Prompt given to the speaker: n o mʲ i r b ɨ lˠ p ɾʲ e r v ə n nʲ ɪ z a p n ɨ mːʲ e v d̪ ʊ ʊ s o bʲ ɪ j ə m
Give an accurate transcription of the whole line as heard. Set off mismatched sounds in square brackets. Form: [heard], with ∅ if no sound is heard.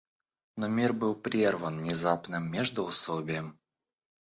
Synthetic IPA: n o mʲ i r b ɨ lˠ p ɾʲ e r v ə n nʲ ɪ z a p n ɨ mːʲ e [ʐ] d̪ ʊ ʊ s o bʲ ɪ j ə m